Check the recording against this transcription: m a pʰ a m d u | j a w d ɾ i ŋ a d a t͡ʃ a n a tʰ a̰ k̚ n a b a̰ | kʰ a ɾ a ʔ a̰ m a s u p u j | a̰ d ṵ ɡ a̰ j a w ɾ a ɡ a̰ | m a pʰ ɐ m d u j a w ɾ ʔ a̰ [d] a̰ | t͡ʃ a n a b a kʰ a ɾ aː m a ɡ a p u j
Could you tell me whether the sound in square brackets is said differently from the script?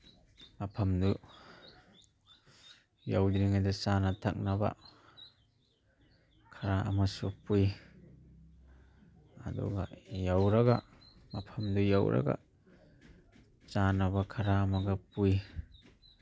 yes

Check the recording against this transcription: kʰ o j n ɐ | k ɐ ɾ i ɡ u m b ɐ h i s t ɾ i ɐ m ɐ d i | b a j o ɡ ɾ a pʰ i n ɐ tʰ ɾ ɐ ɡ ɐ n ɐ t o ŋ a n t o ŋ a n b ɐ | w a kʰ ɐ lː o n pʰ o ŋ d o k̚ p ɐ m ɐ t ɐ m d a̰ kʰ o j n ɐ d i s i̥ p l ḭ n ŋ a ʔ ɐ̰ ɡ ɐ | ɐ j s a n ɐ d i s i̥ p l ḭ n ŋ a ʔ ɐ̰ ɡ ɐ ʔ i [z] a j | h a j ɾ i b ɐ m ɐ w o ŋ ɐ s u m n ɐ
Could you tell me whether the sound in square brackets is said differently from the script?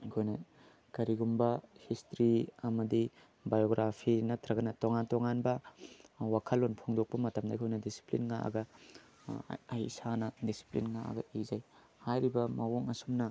no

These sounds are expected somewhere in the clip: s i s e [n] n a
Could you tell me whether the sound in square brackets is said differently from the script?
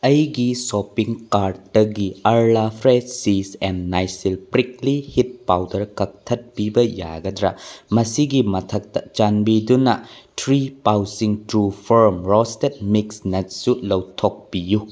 no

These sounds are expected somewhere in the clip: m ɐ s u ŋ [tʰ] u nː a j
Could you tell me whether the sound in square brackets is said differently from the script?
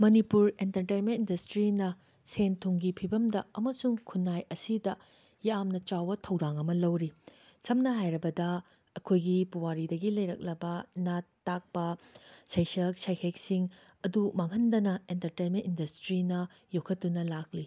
yes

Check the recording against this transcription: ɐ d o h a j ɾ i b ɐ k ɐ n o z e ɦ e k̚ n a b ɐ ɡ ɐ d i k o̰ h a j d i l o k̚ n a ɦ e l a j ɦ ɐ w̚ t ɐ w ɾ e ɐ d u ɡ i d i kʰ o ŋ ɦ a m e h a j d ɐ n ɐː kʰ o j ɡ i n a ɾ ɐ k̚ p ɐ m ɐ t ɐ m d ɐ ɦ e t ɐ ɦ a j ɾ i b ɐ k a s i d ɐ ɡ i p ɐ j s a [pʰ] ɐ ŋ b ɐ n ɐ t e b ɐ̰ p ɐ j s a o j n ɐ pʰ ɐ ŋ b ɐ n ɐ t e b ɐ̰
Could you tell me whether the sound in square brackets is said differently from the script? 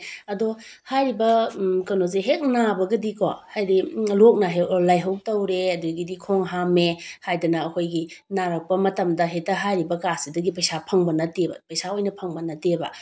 no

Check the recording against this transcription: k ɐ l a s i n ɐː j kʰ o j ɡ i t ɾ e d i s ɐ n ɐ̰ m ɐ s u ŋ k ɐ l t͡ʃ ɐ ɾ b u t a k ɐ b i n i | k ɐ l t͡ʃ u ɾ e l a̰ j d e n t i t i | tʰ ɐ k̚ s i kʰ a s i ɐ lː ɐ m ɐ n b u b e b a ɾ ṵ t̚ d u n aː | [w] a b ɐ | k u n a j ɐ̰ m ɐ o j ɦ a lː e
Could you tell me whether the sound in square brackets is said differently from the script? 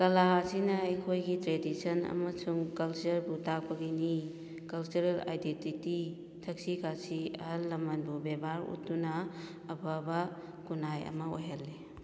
yes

